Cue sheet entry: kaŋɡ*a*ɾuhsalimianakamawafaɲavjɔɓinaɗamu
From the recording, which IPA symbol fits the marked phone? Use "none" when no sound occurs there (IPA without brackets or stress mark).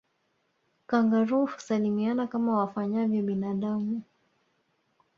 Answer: a